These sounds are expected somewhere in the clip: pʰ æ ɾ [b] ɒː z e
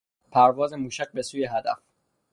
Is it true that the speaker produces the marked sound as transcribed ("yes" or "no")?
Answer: no